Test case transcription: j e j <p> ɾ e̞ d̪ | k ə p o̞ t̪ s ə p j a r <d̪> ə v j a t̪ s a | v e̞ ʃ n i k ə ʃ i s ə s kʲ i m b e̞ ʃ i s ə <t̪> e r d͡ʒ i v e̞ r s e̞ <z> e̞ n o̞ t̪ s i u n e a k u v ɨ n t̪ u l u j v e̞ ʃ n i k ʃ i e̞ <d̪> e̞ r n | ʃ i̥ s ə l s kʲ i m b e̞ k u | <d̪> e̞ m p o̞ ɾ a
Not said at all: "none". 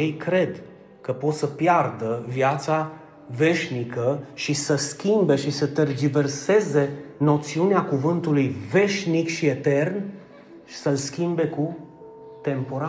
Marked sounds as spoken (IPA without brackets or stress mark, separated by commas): k, d̪, t̪, z, t̪, t̪